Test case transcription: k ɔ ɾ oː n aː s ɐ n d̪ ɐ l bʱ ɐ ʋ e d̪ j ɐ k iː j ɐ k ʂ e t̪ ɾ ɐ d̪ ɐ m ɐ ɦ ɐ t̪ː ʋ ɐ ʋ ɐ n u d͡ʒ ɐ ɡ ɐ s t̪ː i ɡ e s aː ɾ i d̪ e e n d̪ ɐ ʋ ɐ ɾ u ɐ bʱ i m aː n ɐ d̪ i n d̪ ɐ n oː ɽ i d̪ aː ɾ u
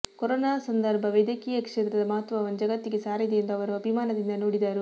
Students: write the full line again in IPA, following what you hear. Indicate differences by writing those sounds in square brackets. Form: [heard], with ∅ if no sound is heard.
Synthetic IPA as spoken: k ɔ ɾ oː n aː s ɐ n d̪ ɐ [ɾ] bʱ ɐ ʋ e d̪ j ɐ k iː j ɐ k ʂ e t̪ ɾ ɐ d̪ ɐ m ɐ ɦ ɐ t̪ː ʋ ɐ ʋ ɐ n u d͡ʒ ɐ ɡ ɐ [∅] t̪ː i ɡ e s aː ɾ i d̪ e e n d̪ ɐ ʋ ɐ ɾ u ɐ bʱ i m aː n ɐ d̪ i n d̪ ɐ n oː ɽ i d̪ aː ɾ u

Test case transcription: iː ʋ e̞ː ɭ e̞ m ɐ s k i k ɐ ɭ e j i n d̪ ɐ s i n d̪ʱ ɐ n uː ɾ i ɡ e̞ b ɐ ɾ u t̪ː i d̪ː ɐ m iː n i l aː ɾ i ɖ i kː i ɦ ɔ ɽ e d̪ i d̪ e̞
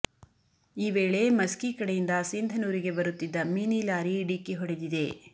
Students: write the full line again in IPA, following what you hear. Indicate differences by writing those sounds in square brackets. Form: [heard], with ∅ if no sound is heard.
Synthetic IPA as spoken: iː ʋ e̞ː ɭ e̞ m ɐ s k i k ɐ [ɽ] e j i n d̪ ɐ s i n d̪ʱ ɐ n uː ɾ i ɡ e̞ b ɐ ɾ u t̪ː i d̪ː ɐ m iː n i l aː ɾ i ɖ i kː i ɦ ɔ ɽ e d̪ i d̪ e̞

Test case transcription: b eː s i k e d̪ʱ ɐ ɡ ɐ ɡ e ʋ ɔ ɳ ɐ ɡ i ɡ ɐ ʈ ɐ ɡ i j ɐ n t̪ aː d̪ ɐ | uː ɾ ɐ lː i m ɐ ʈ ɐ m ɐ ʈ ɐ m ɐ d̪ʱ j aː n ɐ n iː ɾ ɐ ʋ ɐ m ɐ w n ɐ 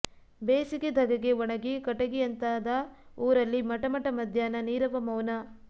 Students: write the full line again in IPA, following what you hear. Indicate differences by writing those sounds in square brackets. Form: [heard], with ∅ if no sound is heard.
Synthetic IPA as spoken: b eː s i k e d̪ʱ ɐ ɡ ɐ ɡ e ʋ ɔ ɳ ɐ ɡ i [k] ɐ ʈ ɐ ɡ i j ɐ n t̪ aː d̪ ɐ | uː ɾ ɐ lː i m ɐ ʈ ɐ m ɐ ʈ ɐ m ɐ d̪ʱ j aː n ɐ n iː ɾ ɐ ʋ ɐ m ɐ w n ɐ

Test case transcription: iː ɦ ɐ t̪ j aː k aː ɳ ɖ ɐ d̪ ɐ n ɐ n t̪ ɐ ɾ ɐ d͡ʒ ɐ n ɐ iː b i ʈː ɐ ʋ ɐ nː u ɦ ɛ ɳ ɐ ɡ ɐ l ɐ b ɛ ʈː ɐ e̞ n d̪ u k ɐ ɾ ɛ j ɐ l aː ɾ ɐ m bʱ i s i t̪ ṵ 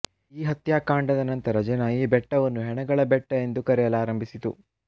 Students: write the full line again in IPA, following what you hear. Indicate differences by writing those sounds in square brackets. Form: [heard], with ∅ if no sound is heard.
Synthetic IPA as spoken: iː ɦ ɐ t̪ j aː k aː ɳ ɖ ɐ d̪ ɐ n ɐ n t̪ ɐ ɾ ɐ d͡ʒ ɐ n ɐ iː b [ɛ] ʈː ɐ ʋ ɐ nː u ɦ ɛ ɳ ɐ ɡ ɐ [ɭ] ɐ b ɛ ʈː ɐ e̞ n d̪ u k ɐ ɾ ɛ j ɐ l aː ɾ ɐ m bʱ i s i t̪ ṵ

